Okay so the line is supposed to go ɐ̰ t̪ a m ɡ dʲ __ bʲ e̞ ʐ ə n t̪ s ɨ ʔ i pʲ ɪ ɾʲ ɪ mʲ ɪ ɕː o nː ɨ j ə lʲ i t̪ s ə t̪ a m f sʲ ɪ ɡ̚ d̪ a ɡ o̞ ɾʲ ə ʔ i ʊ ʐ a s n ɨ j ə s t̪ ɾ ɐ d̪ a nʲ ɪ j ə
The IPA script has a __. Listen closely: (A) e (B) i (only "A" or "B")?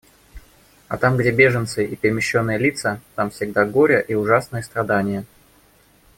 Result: A